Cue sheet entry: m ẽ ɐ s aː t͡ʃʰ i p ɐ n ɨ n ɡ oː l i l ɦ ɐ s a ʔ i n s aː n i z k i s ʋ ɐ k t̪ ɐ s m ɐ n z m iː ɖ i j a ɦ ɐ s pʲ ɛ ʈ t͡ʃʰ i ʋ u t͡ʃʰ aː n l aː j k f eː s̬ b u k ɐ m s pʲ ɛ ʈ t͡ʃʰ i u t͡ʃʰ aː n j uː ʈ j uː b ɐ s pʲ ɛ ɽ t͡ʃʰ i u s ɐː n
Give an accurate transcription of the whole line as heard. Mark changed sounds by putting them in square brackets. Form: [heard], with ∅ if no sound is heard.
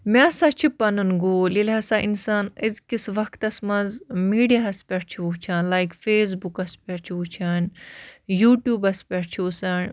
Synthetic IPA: m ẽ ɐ s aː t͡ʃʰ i p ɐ n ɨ n ɡ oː l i l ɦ ɐ s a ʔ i n s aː n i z k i s ʋ ɐ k t̪ ɐ s m ɐ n z m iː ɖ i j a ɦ ɐ s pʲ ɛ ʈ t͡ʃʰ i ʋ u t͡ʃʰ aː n l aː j k f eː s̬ b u k ɐ [∅] s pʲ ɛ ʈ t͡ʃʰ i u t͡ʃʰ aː n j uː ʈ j uː b ɐ s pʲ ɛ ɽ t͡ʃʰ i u s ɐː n